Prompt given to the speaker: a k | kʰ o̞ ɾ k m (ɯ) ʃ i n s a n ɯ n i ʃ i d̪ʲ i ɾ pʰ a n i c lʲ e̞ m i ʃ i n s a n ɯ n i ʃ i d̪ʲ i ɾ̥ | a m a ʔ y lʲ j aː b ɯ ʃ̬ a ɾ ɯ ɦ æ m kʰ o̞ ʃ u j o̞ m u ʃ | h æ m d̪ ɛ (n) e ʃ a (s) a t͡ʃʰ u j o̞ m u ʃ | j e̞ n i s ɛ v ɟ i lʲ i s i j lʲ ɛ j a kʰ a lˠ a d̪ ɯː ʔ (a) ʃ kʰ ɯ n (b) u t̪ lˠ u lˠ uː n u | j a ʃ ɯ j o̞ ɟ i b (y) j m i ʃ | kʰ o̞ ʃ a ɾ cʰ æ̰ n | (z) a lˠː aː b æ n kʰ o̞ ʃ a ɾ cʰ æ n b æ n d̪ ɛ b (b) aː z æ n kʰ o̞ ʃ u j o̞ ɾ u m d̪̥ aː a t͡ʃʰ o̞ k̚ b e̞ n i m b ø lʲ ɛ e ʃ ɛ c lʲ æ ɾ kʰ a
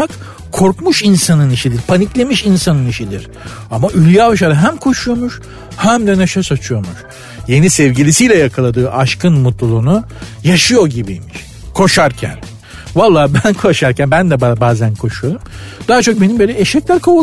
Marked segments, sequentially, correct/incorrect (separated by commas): incorrect, correct, correct, correct, incorrect, incorrect, incorrect, correct